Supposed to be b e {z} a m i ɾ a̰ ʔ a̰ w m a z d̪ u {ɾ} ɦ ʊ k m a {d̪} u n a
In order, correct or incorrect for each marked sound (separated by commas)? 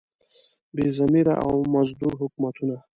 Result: correct, correct, incorrect